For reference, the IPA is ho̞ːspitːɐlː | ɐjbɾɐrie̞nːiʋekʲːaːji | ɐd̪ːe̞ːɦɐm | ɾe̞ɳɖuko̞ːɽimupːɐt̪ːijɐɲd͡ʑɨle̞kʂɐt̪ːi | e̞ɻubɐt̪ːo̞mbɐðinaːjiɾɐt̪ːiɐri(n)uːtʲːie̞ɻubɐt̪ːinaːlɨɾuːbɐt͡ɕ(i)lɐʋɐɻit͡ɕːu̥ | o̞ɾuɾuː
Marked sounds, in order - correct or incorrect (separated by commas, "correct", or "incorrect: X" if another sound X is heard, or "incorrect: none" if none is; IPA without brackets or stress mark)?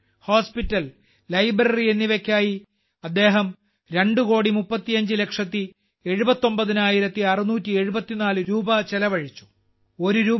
correct, incorrect: e